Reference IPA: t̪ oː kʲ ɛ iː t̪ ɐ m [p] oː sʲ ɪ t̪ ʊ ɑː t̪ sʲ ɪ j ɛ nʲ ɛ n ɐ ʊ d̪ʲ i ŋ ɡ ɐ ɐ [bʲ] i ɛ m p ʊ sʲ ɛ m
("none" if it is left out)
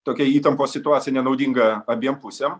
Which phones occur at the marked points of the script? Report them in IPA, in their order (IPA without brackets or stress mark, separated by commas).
p, bʲ